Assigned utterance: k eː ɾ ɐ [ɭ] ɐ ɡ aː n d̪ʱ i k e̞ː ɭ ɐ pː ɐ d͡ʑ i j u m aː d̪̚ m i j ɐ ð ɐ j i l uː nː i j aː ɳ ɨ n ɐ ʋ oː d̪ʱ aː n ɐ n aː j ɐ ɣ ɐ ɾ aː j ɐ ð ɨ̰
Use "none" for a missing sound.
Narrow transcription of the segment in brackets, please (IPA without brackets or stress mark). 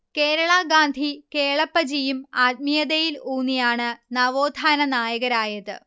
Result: ɭ